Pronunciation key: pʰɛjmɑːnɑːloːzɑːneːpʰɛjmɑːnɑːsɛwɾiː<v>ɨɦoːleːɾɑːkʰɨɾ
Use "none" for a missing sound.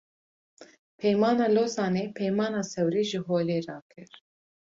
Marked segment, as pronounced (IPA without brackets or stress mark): ʒ